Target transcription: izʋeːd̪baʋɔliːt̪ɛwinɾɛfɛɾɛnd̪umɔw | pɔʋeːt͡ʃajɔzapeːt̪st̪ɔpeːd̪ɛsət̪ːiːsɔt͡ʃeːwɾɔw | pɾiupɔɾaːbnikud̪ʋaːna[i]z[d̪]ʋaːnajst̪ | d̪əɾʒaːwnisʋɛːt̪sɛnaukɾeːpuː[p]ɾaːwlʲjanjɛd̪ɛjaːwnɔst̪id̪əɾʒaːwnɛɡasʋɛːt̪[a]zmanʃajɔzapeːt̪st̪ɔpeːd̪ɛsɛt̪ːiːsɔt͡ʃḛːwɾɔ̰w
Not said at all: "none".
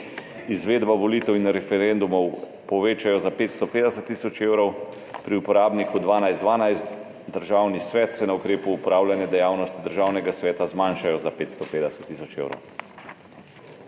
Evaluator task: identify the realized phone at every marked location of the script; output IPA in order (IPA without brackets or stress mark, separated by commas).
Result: j, d̪, p, a